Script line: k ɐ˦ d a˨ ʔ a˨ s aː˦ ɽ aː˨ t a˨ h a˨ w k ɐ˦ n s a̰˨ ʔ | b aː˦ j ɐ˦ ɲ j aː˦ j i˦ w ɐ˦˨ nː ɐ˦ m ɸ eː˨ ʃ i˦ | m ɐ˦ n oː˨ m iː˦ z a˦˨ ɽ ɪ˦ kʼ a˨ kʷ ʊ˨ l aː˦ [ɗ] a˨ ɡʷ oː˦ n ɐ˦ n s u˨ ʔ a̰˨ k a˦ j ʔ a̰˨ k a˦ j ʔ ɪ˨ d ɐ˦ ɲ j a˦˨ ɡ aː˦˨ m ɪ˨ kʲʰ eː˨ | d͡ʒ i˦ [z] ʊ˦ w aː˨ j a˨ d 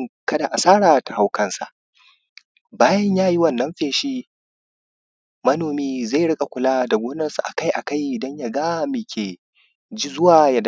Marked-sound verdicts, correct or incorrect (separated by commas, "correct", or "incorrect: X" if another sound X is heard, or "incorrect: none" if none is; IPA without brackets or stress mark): incorrect: d, correct